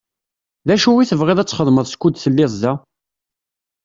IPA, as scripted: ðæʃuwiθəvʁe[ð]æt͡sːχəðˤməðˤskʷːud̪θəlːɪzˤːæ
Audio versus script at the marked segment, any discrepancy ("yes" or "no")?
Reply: no